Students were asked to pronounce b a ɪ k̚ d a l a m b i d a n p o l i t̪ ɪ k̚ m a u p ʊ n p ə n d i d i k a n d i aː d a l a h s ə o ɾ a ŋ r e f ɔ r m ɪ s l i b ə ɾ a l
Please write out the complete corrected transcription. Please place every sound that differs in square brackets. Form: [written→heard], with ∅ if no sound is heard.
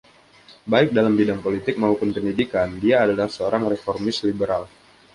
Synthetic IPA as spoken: b a ɪ k̚ d a l a m b i d a [n→ŋ] p o l i t̪ ɪ k̚ m a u p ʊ n p ə n d i d i k a n d i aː d a l a h s ə o ɾ a ŋ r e f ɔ r m ɪ s l i b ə ɾ a l